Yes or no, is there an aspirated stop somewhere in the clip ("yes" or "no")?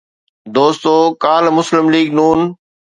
no